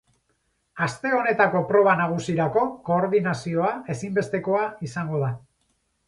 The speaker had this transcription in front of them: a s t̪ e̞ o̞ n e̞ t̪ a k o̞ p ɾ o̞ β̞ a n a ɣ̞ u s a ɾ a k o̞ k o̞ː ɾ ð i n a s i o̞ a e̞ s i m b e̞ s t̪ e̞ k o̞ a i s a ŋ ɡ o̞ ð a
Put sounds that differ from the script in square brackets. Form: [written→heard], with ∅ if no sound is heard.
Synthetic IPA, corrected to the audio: a s t̪ e̞ o̞ n e̞ t̪ a k o̞ p ɾ o̞ β̞ a n a ɣ̞ u s [a→i] ɾ a k o̞ k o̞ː ɾ ð i n a s i o̞ a e̞ s i m b e̞ s t̪ e̞ k o̞ a i s a ŋ ɡ o̞ ð a